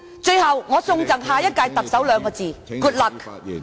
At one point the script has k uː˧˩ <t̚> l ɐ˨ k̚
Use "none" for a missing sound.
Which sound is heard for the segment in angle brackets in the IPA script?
t̚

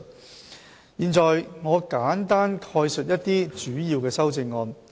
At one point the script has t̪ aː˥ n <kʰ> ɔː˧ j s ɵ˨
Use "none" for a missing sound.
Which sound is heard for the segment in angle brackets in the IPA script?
kʰ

